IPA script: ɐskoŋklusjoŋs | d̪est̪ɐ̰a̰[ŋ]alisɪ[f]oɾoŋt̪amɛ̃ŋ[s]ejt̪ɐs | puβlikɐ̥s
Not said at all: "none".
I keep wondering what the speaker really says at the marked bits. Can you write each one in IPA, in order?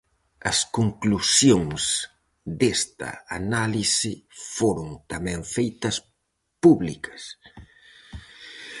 n, f, f

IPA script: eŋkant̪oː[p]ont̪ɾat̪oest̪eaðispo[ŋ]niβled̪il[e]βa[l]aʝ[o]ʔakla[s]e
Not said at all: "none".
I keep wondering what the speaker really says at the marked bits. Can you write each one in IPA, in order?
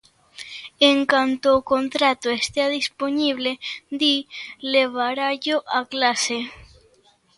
k, none, e, ɾ, o, s

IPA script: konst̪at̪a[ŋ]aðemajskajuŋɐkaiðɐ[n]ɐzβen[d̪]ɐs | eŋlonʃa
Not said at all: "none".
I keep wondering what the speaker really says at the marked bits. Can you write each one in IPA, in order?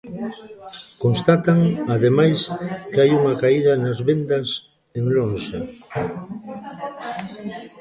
ŋ, n, d̪

